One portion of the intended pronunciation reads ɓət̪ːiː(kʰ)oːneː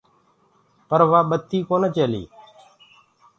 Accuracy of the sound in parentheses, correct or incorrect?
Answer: incorrect